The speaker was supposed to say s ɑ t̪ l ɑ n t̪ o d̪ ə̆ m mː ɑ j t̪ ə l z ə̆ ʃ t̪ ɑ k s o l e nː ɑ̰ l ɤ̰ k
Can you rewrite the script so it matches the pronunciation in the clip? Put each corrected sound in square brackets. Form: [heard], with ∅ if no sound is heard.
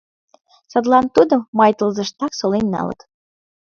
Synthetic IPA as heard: s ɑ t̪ l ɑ n t̪ [u] d̪ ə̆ m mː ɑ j t̪ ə l z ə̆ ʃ t̪ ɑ k s o l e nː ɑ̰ l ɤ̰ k